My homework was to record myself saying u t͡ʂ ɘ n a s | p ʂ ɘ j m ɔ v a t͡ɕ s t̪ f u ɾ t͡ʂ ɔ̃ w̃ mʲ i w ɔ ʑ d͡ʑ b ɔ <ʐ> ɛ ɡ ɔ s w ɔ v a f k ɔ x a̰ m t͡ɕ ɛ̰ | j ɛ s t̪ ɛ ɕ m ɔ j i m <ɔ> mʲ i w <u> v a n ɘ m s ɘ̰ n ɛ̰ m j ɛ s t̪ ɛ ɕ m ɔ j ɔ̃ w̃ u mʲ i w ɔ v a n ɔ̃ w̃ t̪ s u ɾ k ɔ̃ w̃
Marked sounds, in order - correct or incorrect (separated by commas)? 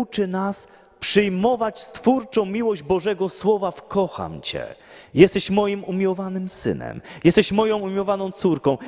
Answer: correct, incorrect, incorrect